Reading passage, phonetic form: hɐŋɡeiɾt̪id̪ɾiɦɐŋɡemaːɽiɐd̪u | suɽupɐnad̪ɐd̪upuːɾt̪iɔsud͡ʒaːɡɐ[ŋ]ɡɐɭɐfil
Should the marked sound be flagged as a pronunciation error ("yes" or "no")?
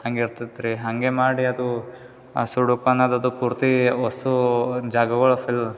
yes